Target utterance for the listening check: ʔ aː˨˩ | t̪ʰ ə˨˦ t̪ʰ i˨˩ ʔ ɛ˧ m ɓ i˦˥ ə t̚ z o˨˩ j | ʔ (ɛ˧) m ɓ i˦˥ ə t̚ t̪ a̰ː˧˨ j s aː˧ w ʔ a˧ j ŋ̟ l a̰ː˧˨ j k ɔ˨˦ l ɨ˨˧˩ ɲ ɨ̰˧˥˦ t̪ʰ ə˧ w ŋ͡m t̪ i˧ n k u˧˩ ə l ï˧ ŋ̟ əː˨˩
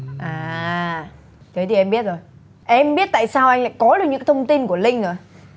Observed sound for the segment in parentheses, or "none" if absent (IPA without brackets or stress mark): ɛ˧